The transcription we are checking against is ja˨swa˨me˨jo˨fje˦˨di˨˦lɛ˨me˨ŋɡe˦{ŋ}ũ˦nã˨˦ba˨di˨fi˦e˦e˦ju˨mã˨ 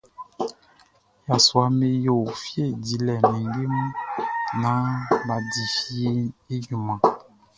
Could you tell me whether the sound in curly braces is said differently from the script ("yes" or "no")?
yes